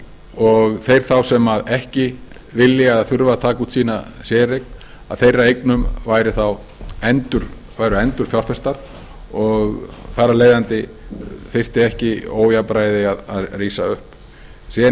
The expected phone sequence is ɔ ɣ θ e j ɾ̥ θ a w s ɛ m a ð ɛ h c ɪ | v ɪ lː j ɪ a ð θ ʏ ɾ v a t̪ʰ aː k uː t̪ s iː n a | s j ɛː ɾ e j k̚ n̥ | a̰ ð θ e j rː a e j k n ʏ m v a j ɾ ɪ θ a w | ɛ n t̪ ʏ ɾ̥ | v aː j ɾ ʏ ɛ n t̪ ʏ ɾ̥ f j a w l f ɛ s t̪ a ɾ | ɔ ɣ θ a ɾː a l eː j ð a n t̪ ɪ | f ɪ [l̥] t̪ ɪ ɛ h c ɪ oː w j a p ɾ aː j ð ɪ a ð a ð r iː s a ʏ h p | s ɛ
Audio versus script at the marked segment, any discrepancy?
yes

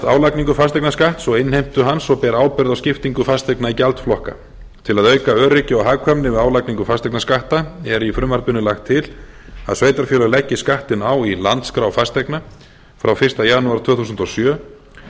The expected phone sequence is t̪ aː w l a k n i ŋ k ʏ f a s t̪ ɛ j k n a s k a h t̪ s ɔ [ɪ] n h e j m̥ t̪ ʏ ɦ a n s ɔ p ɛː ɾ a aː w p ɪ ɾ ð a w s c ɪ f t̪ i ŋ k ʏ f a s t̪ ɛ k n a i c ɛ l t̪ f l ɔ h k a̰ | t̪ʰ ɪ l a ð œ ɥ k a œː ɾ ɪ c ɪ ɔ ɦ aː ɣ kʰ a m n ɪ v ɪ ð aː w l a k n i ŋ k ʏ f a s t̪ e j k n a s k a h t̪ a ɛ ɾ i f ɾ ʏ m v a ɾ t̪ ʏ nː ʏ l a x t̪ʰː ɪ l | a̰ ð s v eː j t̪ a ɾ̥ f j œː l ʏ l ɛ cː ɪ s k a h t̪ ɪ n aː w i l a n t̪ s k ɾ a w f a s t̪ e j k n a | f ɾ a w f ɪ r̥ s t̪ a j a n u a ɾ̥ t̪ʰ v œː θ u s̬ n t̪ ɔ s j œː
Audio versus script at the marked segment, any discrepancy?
no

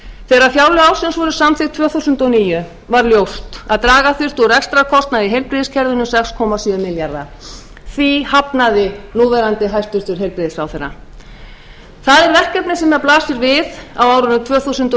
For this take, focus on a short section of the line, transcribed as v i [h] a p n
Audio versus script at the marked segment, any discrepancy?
no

